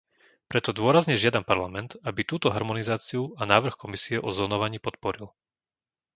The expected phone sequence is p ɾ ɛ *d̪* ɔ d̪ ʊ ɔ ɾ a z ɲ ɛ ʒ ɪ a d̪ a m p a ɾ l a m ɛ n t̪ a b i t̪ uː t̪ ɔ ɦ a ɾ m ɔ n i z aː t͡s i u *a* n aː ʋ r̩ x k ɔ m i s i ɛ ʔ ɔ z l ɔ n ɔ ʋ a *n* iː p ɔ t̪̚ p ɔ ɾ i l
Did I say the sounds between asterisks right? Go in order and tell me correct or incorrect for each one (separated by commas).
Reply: incorrect, correct, incorrect